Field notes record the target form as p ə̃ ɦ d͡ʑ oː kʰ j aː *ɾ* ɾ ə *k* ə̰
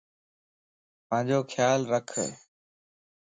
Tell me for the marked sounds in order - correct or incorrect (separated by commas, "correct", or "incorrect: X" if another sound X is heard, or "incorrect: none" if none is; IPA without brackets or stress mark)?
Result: incorrect: l, incorrect: kʰ